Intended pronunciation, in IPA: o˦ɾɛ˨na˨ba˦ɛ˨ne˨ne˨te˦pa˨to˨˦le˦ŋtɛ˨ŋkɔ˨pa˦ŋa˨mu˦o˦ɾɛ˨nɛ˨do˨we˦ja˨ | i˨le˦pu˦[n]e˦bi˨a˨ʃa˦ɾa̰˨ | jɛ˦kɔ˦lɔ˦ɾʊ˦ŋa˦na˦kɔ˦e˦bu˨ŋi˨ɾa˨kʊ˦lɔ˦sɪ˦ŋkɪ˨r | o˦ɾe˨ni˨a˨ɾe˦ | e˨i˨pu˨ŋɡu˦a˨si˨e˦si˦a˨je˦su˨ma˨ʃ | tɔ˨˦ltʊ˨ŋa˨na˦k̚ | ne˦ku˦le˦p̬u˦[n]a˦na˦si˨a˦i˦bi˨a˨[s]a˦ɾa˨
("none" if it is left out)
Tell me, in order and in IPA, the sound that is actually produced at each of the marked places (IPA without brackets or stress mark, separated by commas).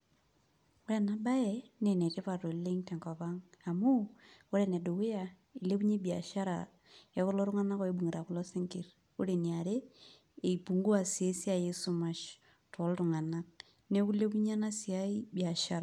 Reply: ɲ, ɲ, ʃ